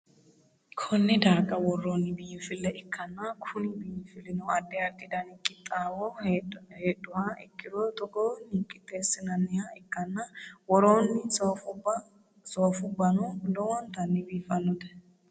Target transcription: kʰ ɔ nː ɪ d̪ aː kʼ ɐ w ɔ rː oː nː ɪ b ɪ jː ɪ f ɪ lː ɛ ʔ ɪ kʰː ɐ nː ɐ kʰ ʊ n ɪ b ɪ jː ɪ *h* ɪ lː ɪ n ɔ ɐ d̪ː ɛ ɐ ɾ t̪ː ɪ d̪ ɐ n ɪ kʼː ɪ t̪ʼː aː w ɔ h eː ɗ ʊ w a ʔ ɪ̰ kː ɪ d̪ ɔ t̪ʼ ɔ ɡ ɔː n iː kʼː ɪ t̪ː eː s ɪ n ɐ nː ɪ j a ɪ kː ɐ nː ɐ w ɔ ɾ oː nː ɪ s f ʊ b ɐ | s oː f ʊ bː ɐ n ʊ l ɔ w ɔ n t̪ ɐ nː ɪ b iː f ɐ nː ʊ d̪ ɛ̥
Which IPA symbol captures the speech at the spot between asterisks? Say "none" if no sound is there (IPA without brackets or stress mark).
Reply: f